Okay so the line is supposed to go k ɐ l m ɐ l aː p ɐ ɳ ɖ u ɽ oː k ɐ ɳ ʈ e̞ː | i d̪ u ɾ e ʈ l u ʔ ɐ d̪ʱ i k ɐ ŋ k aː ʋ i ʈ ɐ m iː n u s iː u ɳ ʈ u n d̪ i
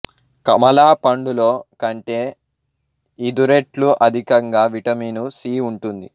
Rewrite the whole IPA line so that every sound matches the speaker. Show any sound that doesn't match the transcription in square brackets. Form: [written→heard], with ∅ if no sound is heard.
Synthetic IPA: k ɐ [l→∅] m ɐ l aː p ɐ ɳ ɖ u [ɽ→l] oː k ɐ ɳ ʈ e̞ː | i d̪ u ɾ e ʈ l u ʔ ɐ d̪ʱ i k ɐ ŋ [k→ɡ] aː ʋ i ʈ ɐ m iː n u s iː u ɳ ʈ u n d̪ i

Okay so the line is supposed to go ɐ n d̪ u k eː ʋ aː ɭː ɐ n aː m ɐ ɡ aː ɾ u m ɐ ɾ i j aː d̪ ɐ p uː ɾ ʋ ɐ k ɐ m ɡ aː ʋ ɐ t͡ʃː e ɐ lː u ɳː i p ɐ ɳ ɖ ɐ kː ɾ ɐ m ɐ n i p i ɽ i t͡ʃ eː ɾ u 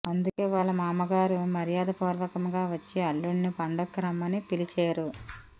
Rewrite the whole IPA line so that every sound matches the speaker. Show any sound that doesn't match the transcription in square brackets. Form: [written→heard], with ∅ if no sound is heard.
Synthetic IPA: ɐ n d̪ u k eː ʋ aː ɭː ɐ [n→m] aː m ɐ ɡ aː ɾ u m ɐ ɾ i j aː d̪ ɐ p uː ɾ ʋ ɐ k ɐ m ɡ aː ʋ ɐ t͡ʃː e ɐ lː u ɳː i p ɐ ɳ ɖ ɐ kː ɾ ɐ m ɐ n i p i [ɽ→l] i t͡ʃ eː ɾ u

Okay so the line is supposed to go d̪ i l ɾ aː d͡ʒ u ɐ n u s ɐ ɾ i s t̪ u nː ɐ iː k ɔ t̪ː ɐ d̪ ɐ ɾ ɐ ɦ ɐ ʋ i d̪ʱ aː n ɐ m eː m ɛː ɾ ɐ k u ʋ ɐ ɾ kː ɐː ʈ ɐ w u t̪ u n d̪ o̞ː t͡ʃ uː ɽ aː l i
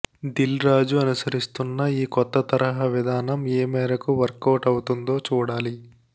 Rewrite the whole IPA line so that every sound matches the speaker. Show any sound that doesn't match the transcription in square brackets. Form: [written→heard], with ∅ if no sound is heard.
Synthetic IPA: d̪ i l ɾ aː d͡ʒ u ɐ n u s ɐ ɾ i s t̪ u nː ɐ iː k ɔ t̪ː ɐ [d̪→t̪] ɐ ɾ ɐ ɦ ɐ ʋ i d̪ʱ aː n ɐ m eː m ɛː ɾ ɐ k u ʋ ɐ ɾ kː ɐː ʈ ɐ w u t̪ u n d̪ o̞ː t͡ʃ uː ɽ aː l i

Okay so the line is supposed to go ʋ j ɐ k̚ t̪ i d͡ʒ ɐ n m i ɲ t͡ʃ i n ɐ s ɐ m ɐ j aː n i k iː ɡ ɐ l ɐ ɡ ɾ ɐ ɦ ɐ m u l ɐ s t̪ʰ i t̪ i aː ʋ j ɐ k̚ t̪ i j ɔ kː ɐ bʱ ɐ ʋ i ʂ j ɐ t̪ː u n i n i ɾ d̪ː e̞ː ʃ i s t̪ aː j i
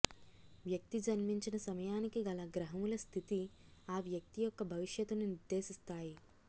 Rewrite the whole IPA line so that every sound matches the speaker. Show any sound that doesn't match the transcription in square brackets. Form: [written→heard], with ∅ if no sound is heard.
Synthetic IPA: ʋ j ɐ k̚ t̪ i d͡ʒ ɐ n m i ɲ t͡ʃ i n ɐ s ɐ m ɐ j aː n i k [iː→i] ɡ ɐ l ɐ ɡ ɾ ɐ ɦ ɐ m u l ɐ s t̪ʰ i t̪ i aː ʋ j ɐ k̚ t̪ i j ɔ kː ɐ bʱ ɐ ʋ i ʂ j ɐ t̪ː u n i n i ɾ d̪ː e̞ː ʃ i s t̪ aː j i

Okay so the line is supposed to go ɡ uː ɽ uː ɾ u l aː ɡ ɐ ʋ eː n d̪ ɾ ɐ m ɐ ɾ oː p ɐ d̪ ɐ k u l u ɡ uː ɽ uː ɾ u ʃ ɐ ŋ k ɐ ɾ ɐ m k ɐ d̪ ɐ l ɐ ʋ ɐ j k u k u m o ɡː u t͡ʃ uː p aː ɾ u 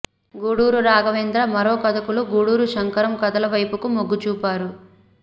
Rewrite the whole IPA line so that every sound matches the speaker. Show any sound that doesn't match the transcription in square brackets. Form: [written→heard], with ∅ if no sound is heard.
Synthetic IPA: ɡ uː ɽ uː ɾ u [l→ɾ] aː ɡ ɐ ʋ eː n d̪ ɾ ɐ m ɐ ɾ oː [p→k] ɐ d̪ ɐ k u l u ɡ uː ɽ uː ɾ u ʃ ɐ ŋ k ɐ ɾ ɐ m k ɐ d̪ ɐ l ɐ ʋ ɐ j [k→p] u k u m o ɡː u t͡ʃ uː p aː ɾ u

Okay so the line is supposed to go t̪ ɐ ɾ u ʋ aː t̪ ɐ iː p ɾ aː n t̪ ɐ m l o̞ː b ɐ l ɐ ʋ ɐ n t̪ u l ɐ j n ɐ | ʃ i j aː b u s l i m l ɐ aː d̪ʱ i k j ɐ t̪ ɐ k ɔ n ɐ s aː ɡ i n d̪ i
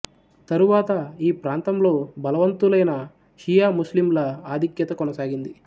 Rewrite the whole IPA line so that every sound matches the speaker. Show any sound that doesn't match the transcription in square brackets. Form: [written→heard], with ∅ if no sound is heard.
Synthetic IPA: t̪ ɐ ɾ u ʋ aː t̪ ɐ iː p ɾ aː n t̪ ɐ m l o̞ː b ɐ l ɐ ʋ ɐ n t̪ u l ɐ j n ɐ | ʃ i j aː [b→m] u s l i m l ɐ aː d̪ʱ i k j ɐ t̪ ɐ k ɔ n ɐ s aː ɡ i n d̪ i

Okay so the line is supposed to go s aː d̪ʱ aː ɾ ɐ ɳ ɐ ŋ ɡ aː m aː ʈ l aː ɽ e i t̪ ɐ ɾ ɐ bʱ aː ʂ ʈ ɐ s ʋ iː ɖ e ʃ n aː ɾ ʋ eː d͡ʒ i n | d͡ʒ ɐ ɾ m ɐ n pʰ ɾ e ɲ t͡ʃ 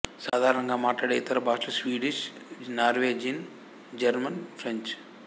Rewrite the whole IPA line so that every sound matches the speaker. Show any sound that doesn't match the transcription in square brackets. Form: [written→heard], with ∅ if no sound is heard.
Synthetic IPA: s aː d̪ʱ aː ɾ ɐ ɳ ɐ ŋ ɡ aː m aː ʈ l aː ɽ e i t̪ ɐ ɾ ɐ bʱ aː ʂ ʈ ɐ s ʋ iː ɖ [e→i] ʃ n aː ɾ ʋ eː d͡ʒ i n | d͡ʒ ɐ ɾ m ɐ n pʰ ɾ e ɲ t͡ʃ

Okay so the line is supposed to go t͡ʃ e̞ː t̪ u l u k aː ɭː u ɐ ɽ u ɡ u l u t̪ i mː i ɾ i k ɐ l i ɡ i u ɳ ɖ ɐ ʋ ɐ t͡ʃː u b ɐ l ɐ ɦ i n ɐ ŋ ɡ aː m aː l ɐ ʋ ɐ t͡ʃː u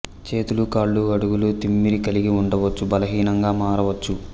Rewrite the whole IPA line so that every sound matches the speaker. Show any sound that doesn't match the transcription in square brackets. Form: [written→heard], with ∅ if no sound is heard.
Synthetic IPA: t͡ʃ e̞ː t̪ u l u k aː ɭː u ɐ ɽ u ɡ u l u t̪ i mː i ɾ i k ɐ l i ɡ i u ɳ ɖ ɐ ʋ ɐ t͡ʃː u b ɐ l ɐ ɦ [i→iː] n ɐ ŋ ɡ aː m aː [l→ɾ] ɐ ʋ ɐ t͡ʃː u

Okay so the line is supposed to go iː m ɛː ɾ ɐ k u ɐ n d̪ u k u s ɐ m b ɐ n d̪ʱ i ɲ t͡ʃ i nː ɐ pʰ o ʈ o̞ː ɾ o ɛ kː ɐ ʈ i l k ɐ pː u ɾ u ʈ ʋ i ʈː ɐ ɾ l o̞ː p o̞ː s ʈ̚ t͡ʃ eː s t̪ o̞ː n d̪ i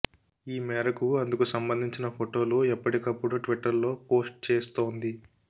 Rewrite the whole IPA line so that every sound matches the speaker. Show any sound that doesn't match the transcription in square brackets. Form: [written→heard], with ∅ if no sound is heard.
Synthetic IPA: iː m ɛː ɾ ɐ k u ɐ n d̪ u k u s ɐ m b ɐ n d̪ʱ i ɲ t͡ʃ i [nː→n] ɐ pʰ o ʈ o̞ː [ɾ→l] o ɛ [kː→pː] ɐ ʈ i [l→∅] k ɐ pː u [ɾ→ɽ] u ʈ ʋ i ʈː ɐ ɾ l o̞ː p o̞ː s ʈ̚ t͡ʃ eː s t̪ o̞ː n d̪ i

